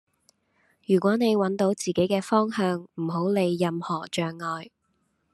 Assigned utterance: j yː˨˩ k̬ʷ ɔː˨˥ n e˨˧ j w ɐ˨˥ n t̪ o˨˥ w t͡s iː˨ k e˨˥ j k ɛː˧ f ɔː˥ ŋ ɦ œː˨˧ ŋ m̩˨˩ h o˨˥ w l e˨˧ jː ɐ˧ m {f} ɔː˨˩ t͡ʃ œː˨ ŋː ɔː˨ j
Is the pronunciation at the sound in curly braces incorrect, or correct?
incorrect